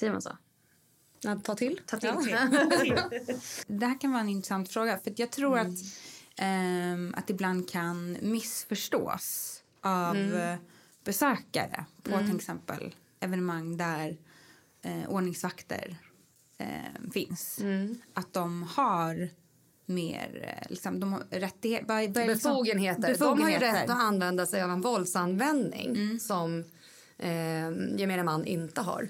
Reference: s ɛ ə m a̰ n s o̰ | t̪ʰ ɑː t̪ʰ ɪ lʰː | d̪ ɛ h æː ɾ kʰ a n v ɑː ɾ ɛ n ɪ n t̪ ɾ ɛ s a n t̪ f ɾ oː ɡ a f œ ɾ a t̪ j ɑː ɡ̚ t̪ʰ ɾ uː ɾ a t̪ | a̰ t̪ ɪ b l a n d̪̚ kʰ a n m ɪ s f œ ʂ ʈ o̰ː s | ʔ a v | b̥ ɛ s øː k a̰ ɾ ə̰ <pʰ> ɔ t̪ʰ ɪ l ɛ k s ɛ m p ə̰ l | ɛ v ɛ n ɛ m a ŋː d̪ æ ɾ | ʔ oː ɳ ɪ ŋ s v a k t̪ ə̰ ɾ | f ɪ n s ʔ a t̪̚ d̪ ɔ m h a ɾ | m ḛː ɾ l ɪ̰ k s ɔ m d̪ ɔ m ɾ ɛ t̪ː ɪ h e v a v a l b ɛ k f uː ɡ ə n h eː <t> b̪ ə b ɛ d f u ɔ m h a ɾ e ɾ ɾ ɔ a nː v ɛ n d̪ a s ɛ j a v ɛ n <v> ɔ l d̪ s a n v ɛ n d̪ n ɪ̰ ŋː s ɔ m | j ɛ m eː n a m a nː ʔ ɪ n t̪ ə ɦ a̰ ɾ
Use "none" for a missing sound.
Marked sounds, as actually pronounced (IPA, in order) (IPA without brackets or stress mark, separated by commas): pʰ, t, v